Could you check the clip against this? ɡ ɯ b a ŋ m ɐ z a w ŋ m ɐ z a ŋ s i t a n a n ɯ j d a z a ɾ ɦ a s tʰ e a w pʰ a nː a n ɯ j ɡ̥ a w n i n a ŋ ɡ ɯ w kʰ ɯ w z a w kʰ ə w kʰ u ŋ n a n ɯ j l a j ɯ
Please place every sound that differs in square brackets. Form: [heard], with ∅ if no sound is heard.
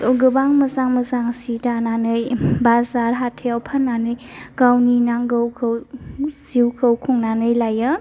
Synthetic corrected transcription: ɡ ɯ b a ŋ m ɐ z a [∅] ŋ m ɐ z a ŋ s i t a n a n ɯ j [b] a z a ɾ ɦ a [∅] tʰ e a w pʰ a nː a n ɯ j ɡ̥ a w n i n a ŋ ɡ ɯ w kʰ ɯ w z [i] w kʰ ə w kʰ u ŋ n a n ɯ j l a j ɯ